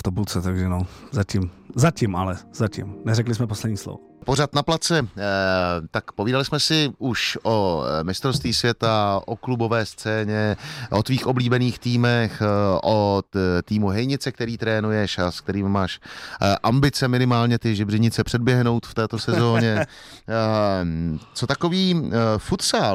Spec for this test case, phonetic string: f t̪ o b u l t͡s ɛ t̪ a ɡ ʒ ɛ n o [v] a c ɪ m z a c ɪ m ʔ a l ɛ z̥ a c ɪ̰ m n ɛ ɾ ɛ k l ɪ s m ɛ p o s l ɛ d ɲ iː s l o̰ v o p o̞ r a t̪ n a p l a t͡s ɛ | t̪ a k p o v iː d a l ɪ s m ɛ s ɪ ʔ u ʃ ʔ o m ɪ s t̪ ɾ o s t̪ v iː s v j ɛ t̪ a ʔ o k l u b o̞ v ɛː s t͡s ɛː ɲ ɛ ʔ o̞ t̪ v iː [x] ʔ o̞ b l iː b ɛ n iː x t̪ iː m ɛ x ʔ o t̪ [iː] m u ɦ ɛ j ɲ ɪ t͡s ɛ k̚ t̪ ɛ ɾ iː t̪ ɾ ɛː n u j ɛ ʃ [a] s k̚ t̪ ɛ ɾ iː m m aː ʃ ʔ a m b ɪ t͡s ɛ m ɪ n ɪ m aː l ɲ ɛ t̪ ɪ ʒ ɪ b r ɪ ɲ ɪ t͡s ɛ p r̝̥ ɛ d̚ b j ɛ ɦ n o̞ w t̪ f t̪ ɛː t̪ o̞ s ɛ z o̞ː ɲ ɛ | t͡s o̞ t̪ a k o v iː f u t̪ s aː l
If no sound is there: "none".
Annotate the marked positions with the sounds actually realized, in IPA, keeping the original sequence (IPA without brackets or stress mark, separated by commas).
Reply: z, x, iː, a